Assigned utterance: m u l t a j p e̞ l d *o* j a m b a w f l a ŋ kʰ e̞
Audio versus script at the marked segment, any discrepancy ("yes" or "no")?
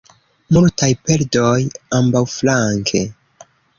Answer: no